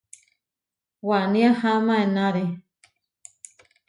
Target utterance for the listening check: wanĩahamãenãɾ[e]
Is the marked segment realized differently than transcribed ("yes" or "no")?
no